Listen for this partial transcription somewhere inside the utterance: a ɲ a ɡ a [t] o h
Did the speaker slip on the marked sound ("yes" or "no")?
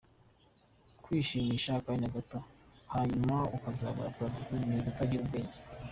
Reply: no